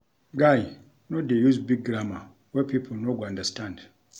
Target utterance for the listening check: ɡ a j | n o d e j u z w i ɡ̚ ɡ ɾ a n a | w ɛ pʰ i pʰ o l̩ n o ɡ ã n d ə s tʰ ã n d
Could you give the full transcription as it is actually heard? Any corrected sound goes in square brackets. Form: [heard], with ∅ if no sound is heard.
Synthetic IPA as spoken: ɡ a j | n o d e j u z [b] i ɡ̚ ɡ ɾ a [m] a | w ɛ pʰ i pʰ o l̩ n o ɡ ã n d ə s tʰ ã n d